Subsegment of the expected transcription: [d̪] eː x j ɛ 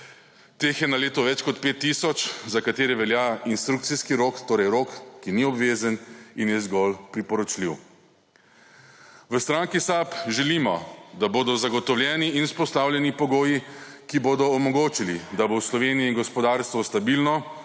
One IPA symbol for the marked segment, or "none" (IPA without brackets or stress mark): t̪